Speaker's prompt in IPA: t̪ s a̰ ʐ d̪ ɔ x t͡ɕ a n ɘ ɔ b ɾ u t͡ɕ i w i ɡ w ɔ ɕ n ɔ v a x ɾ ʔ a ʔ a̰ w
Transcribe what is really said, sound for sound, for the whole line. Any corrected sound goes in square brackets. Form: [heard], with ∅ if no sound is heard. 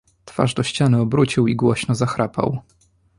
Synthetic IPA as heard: t̪ [f] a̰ ʐ d̪ ɔ [ɕ] t͡ɕ a n ɘ ɔ b ɾ u t͡ɕ i w i ɡ w ɔ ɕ n ɔ [z] a x ɾ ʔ a [p] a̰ w